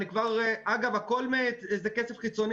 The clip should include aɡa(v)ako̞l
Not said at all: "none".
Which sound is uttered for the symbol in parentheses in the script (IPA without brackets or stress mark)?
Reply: v